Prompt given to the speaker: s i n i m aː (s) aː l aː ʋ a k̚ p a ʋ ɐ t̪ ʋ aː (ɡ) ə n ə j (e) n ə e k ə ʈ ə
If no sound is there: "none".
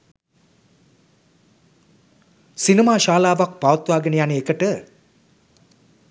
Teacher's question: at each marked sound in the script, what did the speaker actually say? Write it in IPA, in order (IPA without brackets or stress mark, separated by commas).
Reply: ʃ, ɡ, a